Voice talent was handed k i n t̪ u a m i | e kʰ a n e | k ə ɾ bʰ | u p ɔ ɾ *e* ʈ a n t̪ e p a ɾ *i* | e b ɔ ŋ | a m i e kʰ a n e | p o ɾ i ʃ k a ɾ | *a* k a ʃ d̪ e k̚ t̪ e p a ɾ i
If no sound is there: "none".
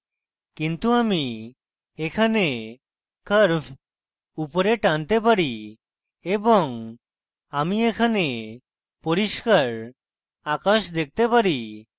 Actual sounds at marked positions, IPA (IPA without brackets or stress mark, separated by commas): e, i, a